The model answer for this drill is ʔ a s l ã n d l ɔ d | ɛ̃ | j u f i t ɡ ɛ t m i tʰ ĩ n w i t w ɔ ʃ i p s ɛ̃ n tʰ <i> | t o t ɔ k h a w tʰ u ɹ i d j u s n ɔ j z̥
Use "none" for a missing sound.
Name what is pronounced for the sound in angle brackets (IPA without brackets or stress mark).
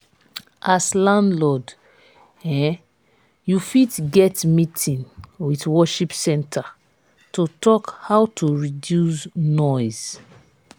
a